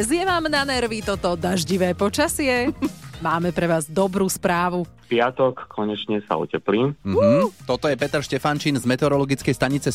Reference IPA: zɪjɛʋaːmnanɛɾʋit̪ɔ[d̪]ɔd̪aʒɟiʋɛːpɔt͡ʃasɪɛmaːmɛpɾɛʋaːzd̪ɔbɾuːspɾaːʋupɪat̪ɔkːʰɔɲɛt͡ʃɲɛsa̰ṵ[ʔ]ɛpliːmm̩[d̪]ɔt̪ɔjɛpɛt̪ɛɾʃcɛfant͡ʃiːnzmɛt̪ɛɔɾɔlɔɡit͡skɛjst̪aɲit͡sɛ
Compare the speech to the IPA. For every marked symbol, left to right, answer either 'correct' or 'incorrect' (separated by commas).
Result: incorrect, incorrect, incorrect